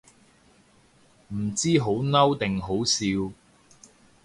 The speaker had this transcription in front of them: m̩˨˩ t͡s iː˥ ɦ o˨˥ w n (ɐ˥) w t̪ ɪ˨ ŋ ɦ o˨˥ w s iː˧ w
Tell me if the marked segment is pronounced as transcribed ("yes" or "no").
yes